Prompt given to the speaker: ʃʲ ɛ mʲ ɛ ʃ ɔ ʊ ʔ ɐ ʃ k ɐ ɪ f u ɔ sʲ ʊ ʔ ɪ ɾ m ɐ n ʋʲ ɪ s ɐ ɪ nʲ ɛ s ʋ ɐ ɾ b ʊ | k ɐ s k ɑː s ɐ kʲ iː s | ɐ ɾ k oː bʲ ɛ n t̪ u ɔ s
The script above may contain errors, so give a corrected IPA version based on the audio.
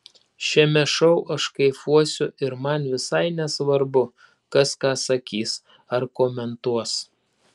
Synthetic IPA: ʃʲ ɛ mʲ ɛ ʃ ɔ ʊ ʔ ɐ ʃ k ɐ ɪ f u ɔ sʲ ʊ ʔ ɪ ɾ m ɐ n ʋʲ ɪ s ɐ ɪ nʲ ɛ s ʋ ɐ ɾ b ʊ | k ɐ s k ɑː s ɐ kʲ iː s | ɐ ɾ k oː mʲ ɛ n t̪ u ɔ s